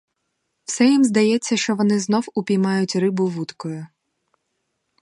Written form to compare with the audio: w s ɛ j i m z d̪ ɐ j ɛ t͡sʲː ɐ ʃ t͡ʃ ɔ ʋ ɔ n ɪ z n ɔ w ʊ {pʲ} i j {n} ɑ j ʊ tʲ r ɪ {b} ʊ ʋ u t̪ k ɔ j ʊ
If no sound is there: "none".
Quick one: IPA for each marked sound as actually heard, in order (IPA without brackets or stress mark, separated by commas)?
pʲ, m, b